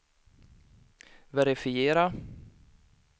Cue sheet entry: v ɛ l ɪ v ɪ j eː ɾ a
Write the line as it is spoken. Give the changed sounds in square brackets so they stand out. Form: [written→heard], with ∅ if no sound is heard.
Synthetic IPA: v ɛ [l→ɾ] ɪ [v→f] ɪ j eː ɾ a